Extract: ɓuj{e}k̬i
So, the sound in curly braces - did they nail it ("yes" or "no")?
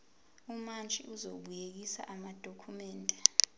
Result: yes